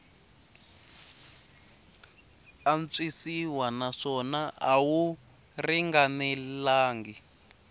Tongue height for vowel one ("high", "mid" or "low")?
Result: low